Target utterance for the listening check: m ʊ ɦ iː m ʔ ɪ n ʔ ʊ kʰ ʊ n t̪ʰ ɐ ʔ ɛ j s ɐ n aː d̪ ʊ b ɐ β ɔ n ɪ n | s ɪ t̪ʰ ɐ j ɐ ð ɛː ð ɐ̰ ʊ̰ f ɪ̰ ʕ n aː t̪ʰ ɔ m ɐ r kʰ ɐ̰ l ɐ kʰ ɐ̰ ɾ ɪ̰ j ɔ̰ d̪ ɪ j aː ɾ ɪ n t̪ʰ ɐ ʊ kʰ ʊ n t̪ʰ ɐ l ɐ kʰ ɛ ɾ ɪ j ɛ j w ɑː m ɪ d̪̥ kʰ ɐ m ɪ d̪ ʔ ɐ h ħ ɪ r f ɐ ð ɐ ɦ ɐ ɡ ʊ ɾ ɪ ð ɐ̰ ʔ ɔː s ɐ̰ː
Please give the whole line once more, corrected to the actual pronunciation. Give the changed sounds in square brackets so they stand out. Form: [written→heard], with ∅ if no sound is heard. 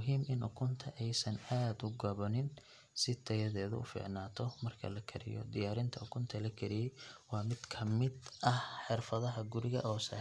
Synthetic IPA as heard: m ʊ ɦ iː m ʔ ɪ n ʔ ʊ kʰ ʊ n t̪ʰ ɐ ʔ ɛ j s ɐ n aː d̪ ʊ [b→ɡ] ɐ β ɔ n ɪ n | s ɪ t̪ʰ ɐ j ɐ ð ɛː ð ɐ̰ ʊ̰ f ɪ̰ ʕ n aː t̪ʰ ɔ m ɐ r kʰ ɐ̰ l ɐ kʰ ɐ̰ ɾ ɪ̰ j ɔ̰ d̪ ɪ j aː ɾ ɪ n t̪ʰ ɐ ʊ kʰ ʊ n t̪ʰ ɐ l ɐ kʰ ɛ ɾ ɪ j ɛ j w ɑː m ɪ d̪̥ kʰ ɐ m ɪ d̪ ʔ ɐ h ħ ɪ r f ɐ ð ɐ ɦ ɐ ɡ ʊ ɾ ɪ [ð→ɣ] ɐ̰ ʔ ɔː s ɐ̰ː